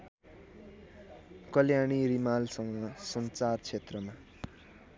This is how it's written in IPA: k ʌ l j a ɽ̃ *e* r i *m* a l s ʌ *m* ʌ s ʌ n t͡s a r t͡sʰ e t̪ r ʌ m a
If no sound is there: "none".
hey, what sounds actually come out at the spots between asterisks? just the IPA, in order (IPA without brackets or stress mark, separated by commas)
i, m, ŋ